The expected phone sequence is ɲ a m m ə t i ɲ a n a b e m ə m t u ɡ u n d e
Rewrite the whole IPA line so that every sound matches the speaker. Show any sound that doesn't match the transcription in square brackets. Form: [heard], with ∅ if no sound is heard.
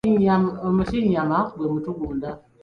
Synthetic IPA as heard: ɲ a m m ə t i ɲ a [m] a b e m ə [∅] t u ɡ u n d [a]